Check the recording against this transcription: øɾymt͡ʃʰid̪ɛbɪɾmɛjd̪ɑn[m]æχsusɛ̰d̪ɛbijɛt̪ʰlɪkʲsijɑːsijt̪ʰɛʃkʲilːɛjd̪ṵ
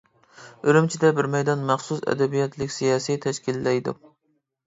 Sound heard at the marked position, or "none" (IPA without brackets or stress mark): m